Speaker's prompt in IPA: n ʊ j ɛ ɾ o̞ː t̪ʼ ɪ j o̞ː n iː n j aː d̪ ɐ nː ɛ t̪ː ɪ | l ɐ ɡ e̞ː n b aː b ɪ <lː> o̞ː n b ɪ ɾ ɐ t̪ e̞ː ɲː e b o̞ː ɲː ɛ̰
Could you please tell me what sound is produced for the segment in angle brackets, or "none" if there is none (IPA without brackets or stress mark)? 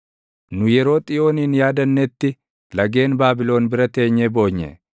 l